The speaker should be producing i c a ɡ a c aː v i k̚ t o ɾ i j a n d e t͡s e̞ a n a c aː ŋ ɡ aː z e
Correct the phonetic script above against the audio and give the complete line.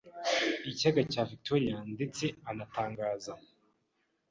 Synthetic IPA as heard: i c a ɡ a c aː v i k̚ t o ɾ i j a n d e t͡s e̞ a n a t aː ŋ ɡ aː z a